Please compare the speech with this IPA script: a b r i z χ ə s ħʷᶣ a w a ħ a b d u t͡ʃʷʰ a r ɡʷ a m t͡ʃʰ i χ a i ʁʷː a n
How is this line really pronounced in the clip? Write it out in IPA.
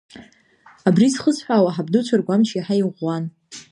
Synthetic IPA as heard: a b r i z χ ə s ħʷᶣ a w a ħ a b d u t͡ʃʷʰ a r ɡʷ a m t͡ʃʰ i ħ a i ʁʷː a n